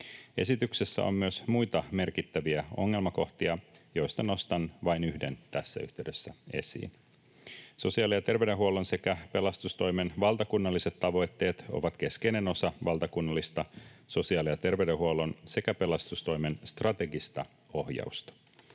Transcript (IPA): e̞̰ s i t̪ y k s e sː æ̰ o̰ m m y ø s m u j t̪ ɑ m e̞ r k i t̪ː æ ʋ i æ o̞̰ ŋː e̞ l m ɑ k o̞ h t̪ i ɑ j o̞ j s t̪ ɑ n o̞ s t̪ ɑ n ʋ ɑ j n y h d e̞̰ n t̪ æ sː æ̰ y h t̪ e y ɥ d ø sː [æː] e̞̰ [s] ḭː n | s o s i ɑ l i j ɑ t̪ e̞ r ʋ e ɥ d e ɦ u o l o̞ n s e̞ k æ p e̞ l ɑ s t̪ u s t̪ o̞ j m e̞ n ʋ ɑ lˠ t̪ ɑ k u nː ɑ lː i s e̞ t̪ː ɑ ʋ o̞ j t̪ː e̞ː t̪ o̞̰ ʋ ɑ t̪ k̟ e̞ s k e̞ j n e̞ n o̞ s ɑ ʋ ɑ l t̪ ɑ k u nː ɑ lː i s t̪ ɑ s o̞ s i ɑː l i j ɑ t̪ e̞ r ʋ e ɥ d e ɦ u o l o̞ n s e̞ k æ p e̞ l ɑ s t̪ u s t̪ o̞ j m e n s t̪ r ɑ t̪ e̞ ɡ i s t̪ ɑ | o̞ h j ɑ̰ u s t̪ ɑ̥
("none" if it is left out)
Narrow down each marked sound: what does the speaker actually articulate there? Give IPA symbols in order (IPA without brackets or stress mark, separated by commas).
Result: æ, s